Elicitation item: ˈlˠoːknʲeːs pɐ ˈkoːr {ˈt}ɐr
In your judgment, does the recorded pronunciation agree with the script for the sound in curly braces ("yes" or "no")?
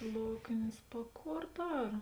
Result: no